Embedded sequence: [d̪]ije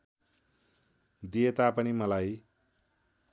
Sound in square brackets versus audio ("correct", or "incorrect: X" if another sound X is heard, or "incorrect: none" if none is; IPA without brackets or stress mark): correct